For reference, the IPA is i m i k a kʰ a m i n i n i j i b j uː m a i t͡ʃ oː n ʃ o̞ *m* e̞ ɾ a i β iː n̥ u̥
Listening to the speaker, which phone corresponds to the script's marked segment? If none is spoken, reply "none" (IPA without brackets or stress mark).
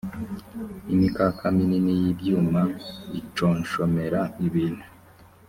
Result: m